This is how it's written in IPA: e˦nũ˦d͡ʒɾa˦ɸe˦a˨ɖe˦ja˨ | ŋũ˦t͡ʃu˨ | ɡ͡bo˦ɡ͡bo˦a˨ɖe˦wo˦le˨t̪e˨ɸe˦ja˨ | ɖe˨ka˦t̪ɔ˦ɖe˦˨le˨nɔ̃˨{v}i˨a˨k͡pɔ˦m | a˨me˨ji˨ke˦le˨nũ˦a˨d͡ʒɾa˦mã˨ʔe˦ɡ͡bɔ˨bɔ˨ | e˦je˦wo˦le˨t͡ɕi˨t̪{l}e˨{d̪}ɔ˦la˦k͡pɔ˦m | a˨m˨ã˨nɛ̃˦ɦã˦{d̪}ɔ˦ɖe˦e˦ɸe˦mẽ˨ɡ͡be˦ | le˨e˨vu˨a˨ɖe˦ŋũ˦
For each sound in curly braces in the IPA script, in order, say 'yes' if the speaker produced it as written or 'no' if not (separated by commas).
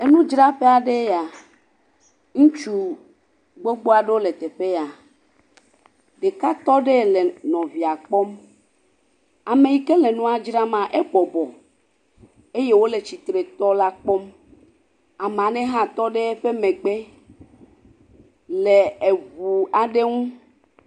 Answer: yes, no, no, no